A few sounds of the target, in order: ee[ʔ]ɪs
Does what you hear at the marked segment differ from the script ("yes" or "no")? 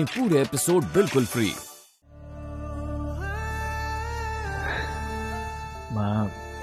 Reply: yes